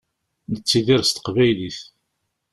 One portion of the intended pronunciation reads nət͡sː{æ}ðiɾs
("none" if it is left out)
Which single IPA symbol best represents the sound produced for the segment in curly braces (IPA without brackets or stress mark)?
i